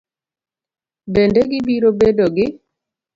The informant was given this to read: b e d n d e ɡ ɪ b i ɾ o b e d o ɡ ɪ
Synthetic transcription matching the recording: b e n d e ɡ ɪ b i ɾ o b e d o ɡ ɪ